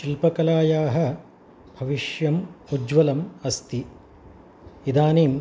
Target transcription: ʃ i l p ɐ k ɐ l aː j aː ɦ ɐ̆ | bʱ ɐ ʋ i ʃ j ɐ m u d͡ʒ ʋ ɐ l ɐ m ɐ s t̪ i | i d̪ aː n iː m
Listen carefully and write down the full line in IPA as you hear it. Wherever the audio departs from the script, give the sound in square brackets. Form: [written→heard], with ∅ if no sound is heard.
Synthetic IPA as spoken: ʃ i l p ɐ k ɐ l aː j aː ɦ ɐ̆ | bʱ ɐ ʋ i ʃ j ɐ m u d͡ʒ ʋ ɐ l ɐ m ɐ s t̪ i | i d̪ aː n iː m